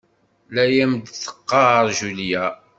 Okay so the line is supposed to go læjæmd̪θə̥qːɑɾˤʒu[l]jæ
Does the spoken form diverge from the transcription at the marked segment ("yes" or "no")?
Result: no